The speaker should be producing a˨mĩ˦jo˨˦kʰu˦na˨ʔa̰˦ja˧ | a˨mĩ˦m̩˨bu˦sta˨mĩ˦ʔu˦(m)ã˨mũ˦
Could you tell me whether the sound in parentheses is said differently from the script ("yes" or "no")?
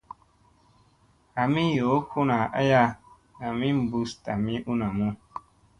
yes